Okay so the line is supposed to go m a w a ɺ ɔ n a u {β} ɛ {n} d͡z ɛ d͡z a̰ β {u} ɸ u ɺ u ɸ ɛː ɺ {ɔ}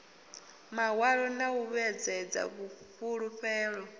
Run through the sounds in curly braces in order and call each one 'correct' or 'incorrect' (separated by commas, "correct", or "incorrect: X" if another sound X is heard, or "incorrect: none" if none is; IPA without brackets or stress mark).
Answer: correct, incorrect: none, correct, correct